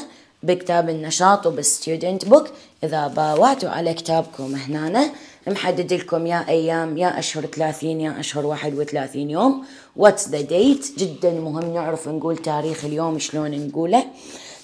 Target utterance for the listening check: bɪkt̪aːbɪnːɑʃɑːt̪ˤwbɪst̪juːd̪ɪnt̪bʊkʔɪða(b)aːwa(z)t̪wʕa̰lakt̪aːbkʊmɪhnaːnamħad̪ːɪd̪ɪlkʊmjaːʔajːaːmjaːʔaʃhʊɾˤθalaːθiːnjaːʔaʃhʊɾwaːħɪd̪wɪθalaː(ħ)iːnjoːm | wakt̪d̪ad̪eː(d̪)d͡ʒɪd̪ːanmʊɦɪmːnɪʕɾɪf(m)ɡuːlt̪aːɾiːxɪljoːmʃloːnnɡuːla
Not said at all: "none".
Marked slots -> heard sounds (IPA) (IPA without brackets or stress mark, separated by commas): b, ʕ, θ, t̪, n